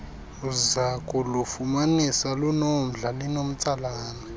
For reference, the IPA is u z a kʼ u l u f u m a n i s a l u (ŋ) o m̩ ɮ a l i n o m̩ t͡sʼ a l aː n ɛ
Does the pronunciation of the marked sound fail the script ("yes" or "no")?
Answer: yes